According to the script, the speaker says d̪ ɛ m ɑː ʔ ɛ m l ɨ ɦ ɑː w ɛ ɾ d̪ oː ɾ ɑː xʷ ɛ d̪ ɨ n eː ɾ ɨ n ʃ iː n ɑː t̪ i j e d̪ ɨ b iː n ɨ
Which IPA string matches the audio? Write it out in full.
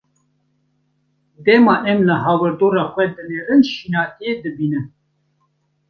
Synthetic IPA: d̪ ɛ m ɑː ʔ ɛ m l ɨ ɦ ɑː w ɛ ɾ d̪ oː ɾ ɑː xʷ ɛ d̪ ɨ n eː ɾ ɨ n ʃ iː n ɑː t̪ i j e d̪ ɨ b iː n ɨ